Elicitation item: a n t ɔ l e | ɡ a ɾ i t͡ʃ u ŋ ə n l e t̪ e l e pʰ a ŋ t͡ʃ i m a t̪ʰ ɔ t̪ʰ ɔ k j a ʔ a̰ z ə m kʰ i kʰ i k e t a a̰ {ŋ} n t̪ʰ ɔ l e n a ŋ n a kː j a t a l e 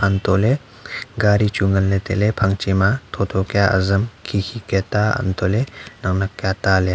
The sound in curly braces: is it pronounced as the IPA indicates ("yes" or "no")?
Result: no